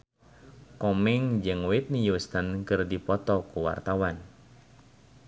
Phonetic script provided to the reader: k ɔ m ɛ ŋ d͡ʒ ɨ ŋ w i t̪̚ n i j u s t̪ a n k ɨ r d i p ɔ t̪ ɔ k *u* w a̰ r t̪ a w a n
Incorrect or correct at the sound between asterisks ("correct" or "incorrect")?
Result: correct